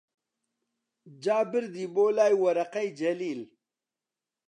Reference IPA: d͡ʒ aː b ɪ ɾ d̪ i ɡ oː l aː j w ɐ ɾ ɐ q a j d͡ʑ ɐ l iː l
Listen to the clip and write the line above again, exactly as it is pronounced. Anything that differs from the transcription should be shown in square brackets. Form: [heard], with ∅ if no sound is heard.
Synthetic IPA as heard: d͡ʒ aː b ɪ ɾ d̪ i [b] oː l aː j w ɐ ɾ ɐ q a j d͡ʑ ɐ l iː l